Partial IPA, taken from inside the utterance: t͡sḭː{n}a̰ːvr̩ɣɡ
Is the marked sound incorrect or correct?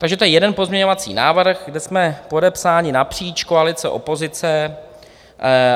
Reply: correct